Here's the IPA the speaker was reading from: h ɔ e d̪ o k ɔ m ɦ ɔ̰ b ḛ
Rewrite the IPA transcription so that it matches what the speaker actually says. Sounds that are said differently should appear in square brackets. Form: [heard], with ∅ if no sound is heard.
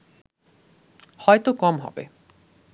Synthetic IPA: h ɔ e [t̪] o k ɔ m ɦ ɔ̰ b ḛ